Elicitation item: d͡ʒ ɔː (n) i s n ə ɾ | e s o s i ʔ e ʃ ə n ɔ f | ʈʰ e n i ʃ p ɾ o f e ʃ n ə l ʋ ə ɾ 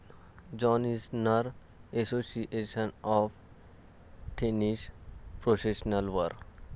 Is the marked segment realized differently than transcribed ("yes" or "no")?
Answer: no